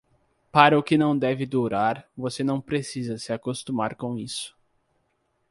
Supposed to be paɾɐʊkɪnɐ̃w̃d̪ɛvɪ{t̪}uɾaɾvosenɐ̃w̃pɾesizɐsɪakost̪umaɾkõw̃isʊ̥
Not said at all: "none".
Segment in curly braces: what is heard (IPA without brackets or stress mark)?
d̪